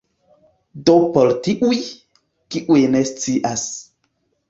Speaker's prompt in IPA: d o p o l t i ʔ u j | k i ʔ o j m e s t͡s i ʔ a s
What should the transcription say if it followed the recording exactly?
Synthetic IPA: d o p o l t i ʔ u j | k i ʔ u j n e s t͡s i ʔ a s